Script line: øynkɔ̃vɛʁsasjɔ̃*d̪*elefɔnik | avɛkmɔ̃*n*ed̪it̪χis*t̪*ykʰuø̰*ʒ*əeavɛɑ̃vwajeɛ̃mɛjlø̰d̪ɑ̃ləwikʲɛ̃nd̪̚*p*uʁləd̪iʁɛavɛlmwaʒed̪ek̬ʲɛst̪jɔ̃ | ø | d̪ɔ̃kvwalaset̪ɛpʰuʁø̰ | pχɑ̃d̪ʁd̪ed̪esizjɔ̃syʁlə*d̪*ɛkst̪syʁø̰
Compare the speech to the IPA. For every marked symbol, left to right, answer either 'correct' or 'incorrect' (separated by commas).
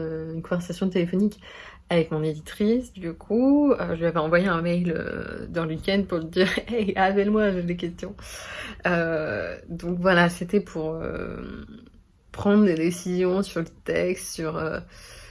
incorrect, correct, incorrect, correct, correct, incorrect